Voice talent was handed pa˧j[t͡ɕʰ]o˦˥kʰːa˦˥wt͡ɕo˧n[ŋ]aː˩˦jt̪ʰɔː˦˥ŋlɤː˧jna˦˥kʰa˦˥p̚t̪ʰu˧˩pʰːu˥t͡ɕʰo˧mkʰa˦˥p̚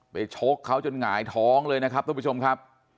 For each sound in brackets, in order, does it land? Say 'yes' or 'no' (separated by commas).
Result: yes, yes